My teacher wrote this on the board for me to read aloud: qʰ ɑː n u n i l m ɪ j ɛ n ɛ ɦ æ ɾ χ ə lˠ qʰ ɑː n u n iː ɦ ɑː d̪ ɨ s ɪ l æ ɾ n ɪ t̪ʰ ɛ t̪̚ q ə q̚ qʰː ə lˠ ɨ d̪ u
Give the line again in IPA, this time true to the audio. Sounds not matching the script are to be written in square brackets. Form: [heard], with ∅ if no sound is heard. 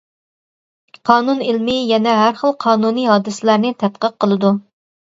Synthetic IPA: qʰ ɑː n u n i l m ɪ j ɛ n ɛ ɦ æ ɾ χ ə lˠ qʰ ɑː n u n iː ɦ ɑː d̪ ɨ s ɪ l æ ɾ n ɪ t̪ʰ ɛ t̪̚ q ə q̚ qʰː ə lˠ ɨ d̪ u